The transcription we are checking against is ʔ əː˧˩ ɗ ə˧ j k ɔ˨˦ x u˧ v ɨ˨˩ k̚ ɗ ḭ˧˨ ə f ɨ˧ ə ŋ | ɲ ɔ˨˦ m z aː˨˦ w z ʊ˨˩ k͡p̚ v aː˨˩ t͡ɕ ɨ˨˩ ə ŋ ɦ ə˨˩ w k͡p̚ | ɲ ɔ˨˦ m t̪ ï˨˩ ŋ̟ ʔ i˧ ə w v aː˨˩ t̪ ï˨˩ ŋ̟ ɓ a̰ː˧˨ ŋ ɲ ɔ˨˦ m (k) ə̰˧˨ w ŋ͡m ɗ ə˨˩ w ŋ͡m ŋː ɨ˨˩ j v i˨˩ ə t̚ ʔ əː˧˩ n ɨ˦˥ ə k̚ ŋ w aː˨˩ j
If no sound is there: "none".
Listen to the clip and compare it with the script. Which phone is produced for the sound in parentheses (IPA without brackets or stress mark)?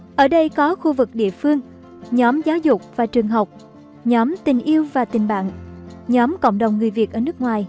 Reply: k